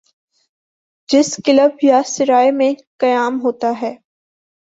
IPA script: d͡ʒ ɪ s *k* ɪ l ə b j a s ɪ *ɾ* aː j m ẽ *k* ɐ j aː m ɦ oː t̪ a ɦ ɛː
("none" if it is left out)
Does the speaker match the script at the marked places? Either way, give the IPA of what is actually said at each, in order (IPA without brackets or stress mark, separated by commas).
k, ɾ, k